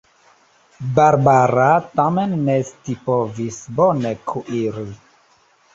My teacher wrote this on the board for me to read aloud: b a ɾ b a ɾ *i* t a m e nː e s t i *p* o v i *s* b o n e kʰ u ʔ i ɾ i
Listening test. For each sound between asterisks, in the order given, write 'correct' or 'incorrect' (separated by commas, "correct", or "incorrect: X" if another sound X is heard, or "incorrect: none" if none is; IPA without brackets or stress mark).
incorrect: a, correct, correct